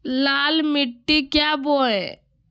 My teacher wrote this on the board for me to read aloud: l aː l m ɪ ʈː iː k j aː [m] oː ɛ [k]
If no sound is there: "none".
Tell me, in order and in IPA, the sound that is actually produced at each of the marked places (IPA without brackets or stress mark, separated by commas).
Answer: b, none